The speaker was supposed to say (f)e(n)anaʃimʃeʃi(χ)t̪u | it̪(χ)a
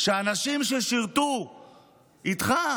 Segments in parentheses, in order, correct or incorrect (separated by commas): incorrect, incorrect, incorrect, correct